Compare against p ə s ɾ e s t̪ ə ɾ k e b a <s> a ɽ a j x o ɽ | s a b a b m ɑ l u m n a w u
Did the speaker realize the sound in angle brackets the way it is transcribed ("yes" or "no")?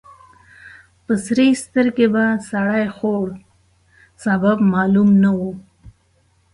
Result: yes